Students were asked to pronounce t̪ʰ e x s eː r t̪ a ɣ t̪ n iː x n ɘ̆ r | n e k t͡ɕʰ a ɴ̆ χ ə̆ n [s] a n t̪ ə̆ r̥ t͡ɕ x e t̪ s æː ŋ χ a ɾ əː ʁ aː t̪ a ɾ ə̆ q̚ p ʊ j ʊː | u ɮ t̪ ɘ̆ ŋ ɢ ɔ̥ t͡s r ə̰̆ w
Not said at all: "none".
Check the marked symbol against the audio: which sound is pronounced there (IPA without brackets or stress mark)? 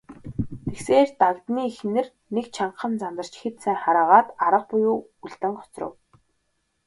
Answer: t͡s